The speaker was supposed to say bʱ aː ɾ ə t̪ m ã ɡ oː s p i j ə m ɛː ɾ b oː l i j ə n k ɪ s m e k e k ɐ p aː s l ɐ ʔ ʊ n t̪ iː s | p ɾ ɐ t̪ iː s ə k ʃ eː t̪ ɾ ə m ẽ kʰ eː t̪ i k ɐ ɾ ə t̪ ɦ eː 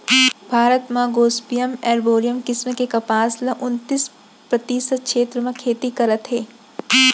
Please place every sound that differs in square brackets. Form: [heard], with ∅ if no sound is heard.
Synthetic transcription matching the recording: bʱ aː ɾ ə t̪ m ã ɡ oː s p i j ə m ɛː ɾ b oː [ɾ] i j ə [m] k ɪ s m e k e k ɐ p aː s l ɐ ʔ ʊ n t̪ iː s | p ɾ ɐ t̪ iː s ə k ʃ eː t̪ ɾ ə m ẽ kʰ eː t̪ i k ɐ ɾ ə t̪ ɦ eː